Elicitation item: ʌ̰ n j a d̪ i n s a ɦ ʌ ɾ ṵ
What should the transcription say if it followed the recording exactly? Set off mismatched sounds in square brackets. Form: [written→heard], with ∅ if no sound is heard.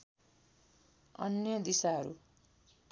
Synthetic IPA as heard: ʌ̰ n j [a→ʌ] d̪ i [n→∅] s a ɦ ʌ ɾ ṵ